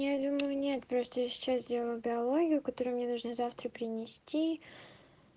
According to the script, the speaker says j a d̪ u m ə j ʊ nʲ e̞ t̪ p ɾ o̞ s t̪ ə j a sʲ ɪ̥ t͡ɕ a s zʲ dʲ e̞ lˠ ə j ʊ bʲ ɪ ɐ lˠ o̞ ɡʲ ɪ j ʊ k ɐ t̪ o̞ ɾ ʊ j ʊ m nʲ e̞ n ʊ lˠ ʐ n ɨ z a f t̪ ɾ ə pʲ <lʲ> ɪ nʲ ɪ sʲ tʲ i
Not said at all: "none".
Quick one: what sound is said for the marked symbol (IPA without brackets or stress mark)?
ɾʲ